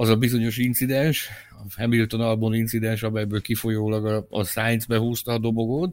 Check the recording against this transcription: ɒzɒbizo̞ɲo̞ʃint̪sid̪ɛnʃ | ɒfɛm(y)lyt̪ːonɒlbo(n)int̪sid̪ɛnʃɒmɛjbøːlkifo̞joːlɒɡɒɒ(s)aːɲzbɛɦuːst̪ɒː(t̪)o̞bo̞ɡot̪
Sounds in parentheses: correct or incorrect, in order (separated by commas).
incorrect, correct, correct, incorrect